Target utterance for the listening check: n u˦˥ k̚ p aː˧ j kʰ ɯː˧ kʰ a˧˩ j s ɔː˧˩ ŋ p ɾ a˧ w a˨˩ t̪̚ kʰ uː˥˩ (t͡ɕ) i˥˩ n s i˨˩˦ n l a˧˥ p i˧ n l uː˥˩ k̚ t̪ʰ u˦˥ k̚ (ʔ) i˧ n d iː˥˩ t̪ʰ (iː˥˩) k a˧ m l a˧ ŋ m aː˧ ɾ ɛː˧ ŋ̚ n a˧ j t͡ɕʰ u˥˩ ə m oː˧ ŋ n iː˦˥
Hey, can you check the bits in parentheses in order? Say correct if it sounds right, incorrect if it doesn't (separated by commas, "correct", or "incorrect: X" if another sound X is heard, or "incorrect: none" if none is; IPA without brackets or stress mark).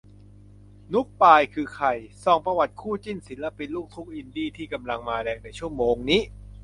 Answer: correct, correct, correct